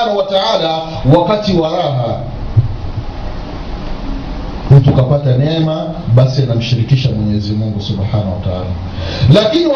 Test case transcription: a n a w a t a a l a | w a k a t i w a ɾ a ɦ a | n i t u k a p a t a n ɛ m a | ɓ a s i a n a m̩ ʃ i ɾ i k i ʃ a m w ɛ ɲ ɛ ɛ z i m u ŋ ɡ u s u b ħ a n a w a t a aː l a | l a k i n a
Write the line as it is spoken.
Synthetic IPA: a n a w a t a a l a | w a k a t i w a ɾ a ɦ a | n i t u k a p a t a n ɛ m a | ɓ a s i a n a m̩ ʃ i ɾ i k i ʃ a m w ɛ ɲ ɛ ɛ z i m u ŋ ɡ u s u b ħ a n a w a t a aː l a | l a k i n i